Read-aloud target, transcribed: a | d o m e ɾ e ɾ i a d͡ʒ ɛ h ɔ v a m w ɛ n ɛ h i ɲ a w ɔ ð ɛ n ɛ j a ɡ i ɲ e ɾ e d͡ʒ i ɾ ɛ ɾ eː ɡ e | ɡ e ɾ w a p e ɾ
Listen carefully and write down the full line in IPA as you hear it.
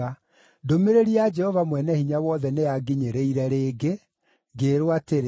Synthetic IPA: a | d o m e ɾ e ɾ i a d͡ʒ ɛ h ɔ v a m w ɛ n ɛ h i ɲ a w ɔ ð ɛ n e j a ɡ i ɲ e ɾ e i ɾ ɛ ɾ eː ɡ e | ɡ e ɾ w a t e ɾ